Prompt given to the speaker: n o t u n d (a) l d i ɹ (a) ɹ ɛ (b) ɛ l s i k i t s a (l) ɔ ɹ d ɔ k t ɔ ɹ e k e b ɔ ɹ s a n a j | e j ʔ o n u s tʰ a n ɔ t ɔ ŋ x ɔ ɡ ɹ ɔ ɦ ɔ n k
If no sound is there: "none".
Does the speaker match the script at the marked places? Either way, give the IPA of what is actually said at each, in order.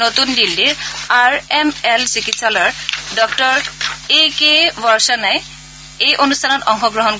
i, a, m, l

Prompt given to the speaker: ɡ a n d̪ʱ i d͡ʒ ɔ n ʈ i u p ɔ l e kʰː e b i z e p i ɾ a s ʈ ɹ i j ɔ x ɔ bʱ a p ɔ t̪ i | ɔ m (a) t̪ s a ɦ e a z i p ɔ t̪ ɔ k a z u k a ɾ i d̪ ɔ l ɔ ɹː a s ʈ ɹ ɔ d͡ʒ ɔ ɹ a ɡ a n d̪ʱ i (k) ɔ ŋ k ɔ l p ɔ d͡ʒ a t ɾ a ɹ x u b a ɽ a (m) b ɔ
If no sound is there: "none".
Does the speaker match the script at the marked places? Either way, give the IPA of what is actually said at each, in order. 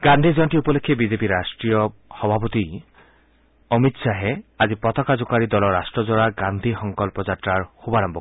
i, x, m

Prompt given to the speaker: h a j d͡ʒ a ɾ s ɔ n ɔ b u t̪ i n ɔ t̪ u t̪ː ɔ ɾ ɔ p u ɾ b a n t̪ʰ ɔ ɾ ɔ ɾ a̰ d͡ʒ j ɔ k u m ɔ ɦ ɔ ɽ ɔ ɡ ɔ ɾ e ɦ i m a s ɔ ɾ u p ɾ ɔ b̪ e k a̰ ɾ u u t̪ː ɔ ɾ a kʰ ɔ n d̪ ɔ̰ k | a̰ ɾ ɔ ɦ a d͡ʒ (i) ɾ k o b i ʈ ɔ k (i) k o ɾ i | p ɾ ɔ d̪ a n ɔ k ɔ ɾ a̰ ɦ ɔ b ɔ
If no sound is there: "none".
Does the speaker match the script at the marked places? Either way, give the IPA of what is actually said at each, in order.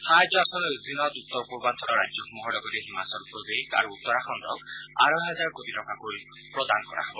a, a

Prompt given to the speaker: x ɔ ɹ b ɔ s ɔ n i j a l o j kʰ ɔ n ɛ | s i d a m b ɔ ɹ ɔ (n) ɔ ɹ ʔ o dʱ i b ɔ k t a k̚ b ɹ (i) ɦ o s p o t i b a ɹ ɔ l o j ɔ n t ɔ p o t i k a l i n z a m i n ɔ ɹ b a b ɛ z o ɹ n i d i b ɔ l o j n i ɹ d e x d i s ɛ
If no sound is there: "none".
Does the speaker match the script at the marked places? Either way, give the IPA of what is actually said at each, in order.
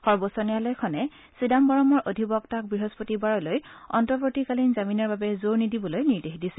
m, i

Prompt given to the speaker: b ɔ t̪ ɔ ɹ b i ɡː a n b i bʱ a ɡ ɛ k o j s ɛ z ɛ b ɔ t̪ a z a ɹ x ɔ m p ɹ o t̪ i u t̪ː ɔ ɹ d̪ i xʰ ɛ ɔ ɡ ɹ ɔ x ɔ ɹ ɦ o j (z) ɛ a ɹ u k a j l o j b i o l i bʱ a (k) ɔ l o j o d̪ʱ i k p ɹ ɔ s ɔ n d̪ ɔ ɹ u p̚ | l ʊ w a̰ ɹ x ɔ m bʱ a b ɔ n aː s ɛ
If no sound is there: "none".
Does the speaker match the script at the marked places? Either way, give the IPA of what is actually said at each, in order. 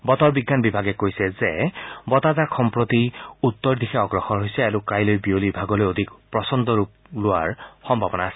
s, ɡ

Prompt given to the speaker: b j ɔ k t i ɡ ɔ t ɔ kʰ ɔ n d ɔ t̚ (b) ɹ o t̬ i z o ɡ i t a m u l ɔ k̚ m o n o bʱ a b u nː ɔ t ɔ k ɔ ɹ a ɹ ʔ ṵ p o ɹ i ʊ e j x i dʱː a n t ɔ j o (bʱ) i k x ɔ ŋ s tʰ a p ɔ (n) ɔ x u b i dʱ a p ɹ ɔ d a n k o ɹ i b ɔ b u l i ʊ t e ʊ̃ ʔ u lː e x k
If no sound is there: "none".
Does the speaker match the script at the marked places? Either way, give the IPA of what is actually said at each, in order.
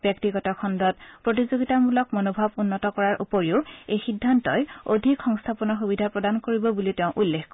p, dʱ, n

